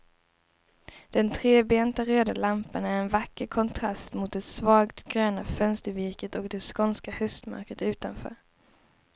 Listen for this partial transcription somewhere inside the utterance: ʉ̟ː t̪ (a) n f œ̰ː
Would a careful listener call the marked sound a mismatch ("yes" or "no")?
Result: no